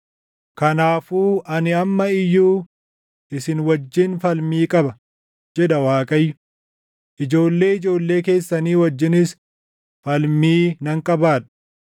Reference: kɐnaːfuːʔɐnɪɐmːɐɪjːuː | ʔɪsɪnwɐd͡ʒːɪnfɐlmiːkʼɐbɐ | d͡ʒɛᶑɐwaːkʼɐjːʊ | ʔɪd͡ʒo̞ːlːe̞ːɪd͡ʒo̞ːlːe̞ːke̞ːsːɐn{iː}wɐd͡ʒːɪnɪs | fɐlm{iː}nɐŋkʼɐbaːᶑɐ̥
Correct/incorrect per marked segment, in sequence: correct, correct

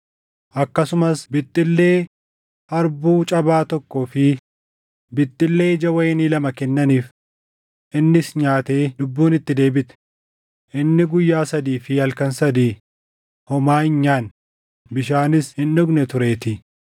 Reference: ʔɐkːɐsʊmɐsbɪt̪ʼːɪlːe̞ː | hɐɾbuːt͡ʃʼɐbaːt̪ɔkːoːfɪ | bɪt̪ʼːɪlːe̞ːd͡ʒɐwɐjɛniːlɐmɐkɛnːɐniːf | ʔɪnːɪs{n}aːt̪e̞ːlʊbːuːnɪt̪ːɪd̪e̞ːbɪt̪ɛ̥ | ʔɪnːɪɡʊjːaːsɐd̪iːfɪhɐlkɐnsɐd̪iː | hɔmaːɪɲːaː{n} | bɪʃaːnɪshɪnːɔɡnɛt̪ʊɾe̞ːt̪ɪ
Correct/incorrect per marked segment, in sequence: incorrect: ɲ, correct

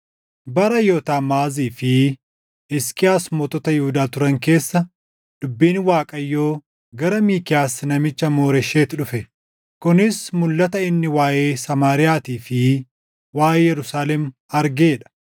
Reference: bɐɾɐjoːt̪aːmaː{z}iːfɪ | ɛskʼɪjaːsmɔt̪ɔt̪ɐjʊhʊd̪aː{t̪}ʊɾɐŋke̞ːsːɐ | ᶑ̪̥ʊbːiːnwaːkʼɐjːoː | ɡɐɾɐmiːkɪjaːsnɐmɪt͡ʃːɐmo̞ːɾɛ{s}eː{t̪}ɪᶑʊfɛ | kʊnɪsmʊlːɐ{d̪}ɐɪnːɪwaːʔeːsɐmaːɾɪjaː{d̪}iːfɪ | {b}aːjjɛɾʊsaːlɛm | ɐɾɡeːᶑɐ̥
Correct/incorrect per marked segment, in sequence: correct, correct, incorrect: ʃ, correct, incorrect: t̪, incorrect: t̪, incorrect: w

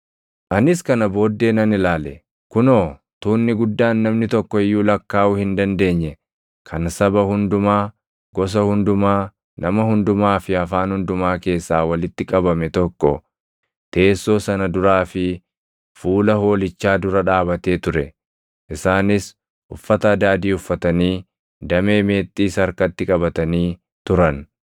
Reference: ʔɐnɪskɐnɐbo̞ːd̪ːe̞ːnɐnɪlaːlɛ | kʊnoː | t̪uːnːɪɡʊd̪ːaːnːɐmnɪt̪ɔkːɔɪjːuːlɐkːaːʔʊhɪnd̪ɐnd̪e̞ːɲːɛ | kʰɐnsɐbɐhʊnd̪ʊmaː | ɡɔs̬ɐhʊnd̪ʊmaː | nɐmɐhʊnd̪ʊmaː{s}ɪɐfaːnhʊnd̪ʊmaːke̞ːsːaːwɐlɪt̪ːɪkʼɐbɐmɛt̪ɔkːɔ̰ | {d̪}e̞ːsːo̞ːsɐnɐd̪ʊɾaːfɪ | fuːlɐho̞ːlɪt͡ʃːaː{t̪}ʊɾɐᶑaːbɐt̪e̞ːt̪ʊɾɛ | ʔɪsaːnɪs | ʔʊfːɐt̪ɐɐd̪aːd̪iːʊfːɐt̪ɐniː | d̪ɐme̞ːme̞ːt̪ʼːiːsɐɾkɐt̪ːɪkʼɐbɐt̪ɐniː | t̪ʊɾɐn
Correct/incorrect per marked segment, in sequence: incorrect: f, incorrect: t̪, incorrect: d̪

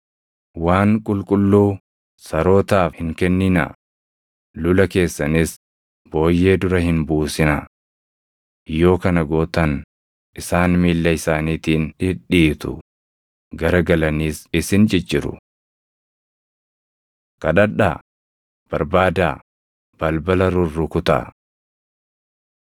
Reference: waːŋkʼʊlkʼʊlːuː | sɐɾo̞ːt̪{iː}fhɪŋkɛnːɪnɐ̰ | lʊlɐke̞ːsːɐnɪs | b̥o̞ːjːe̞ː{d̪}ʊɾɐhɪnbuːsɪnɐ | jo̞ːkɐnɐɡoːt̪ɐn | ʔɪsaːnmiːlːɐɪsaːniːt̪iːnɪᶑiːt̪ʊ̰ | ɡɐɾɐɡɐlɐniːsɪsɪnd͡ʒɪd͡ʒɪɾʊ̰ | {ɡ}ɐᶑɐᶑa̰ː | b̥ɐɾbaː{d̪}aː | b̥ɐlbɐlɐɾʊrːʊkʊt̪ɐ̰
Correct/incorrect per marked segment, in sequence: incorrect: aː, correct, incorrect: k, correct

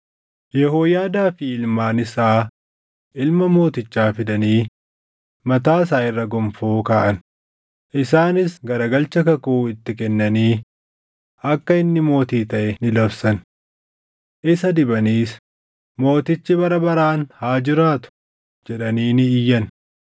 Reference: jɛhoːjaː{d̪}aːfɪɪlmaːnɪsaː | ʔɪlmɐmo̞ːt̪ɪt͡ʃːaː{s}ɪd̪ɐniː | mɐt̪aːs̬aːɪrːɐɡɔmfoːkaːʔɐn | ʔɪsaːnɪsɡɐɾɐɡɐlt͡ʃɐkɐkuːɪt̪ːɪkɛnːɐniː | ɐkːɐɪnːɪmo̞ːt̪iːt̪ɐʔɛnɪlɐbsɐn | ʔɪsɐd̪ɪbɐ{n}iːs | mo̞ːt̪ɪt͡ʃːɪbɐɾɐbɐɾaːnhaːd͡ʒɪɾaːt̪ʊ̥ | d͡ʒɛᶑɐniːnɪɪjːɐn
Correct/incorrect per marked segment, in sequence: correct, incorrect: f, correct

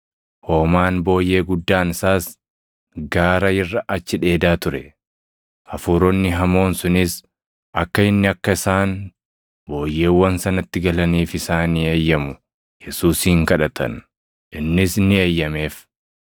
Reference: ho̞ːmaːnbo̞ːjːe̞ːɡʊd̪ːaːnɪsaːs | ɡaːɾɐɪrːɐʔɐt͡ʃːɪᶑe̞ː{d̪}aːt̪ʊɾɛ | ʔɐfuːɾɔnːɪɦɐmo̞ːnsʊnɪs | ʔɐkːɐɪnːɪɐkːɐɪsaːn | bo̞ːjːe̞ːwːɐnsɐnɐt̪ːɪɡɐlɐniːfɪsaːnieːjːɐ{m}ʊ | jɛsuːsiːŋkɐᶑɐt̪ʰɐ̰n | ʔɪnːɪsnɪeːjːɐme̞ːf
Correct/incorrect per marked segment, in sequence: correct, correct

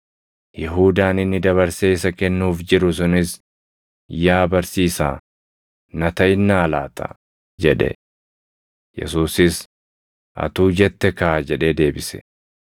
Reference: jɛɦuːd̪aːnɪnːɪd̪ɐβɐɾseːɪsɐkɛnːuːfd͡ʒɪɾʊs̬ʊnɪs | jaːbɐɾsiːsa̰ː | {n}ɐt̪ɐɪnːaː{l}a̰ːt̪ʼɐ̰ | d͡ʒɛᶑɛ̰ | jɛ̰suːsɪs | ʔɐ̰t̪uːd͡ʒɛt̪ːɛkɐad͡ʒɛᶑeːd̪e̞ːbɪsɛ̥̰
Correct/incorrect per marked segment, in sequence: correct, correct

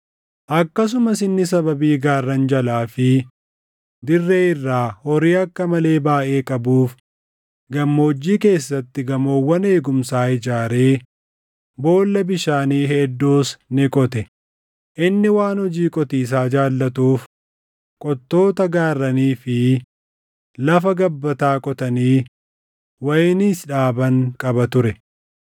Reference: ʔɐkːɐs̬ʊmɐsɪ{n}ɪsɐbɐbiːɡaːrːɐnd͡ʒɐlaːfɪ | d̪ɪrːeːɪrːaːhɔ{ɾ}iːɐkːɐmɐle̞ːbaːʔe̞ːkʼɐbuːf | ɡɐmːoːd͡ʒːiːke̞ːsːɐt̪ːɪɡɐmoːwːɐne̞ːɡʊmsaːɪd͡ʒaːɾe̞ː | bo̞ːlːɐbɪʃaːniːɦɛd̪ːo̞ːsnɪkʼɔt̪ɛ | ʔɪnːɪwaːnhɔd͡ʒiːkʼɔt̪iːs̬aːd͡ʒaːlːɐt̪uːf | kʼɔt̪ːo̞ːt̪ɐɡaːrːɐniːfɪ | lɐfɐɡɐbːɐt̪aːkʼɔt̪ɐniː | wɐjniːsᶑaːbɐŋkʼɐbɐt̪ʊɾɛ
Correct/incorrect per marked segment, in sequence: incorrect: nː, correct

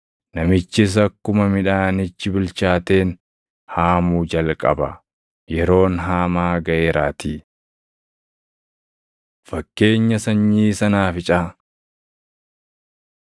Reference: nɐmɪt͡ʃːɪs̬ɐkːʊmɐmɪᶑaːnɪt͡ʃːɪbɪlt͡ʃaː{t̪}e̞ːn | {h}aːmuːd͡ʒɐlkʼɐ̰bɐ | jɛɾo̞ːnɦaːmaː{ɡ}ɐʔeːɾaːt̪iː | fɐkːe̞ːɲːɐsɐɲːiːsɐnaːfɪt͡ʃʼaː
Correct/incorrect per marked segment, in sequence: correct, correct, correct

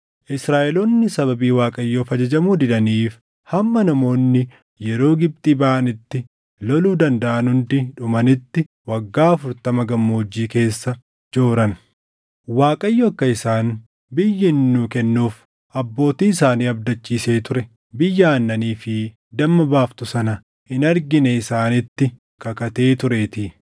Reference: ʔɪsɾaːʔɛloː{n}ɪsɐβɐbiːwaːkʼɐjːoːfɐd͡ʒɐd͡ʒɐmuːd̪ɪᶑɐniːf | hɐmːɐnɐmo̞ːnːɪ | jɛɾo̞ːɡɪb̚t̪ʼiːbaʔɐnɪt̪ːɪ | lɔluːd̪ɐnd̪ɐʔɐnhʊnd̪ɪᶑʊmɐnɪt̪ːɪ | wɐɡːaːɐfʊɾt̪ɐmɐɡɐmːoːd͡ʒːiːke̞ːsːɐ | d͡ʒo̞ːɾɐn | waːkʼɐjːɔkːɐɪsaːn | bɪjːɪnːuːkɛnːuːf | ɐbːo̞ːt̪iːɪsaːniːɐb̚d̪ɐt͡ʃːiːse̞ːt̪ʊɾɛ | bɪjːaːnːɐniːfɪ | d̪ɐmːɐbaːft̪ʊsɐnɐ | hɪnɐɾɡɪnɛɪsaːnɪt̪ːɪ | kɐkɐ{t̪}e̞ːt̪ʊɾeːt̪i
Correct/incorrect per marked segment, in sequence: incorrect: nː, correct

